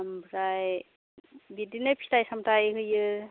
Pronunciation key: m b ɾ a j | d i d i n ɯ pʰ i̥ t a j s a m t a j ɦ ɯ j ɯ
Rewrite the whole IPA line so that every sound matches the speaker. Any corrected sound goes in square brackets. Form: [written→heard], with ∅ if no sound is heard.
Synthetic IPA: m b ɾ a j | [d→b] i d i n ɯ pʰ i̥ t a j s a m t a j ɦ ɯ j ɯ